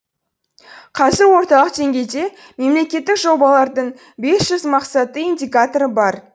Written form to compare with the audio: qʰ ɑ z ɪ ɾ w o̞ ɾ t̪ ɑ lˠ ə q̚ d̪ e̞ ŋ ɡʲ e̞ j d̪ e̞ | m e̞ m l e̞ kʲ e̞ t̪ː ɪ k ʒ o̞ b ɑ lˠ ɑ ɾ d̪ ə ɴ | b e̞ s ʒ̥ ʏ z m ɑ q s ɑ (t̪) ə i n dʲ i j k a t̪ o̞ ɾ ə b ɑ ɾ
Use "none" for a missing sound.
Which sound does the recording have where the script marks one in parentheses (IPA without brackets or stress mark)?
t̪